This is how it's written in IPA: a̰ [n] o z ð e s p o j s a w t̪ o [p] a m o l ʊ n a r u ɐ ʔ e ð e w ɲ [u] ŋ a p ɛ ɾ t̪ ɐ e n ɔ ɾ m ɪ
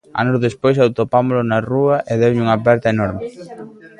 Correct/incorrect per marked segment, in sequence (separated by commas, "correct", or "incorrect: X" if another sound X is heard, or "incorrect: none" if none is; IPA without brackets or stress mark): correct, correct, correct